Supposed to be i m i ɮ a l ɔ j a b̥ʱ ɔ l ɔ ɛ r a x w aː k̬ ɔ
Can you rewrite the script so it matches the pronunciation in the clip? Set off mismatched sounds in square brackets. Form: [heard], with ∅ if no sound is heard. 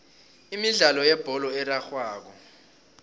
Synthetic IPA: i m i ɮ a l ɔ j [ɛ] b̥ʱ ɔ l ɔ ɛ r a x w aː k̬ ɔ